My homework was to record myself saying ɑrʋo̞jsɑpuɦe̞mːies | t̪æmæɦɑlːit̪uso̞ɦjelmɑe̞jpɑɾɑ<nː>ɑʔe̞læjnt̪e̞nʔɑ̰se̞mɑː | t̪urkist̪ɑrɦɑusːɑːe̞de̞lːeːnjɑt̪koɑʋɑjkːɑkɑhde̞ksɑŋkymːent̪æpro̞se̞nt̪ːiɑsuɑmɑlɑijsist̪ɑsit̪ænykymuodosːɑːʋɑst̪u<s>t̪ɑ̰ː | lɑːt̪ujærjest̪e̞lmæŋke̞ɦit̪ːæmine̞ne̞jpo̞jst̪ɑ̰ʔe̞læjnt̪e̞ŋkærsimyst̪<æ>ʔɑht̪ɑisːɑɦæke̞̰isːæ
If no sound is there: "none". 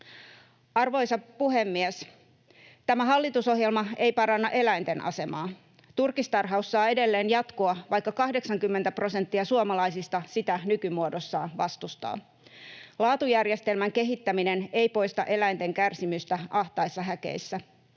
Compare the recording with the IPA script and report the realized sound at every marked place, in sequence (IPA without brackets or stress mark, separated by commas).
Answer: nː, s, æ